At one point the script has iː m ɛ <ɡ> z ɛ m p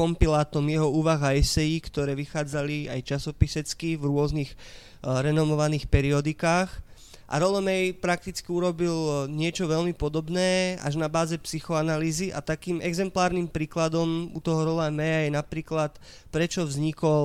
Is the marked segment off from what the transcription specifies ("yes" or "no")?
no